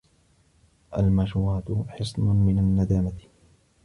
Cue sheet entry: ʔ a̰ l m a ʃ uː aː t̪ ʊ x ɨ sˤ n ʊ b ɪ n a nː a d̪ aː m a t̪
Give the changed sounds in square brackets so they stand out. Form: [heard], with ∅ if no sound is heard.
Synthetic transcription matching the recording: ʔ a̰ l m a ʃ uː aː t̪ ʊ [ħ] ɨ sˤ n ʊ [m] ɪ n a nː a d̪ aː m a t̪